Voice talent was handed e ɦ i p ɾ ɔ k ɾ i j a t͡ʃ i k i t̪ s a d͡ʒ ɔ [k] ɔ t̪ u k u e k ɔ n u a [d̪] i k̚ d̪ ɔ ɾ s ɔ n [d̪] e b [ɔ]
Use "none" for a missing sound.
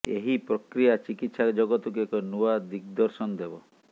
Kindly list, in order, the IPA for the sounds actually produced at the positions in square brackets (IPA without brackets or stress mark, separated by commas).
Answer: ɡ, d̪, d̪, ɔ